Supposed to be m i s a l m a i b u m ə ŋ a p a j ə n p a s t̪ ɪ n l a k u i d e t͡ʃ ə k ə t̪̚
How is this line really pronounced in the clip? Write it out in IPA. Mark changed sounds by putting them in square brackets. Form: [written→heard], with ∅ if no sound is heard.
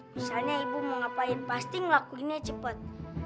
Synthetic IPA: m i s a l [m→ɲ] a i b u m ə ŋ a p a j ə n p a s t̪ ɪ [n→ŋ] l a k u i [d→n] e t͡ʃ ə [k→p] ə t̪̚